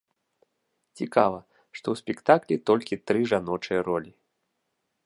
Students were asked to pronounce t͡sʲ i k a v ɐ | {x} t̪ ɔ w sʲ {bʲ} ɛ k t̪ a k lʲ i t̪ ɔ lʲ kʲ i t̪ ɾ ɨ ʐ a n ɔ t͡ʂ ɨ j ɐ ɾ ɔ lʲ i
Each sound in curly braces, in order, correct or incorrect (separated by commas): incorrect, incorrect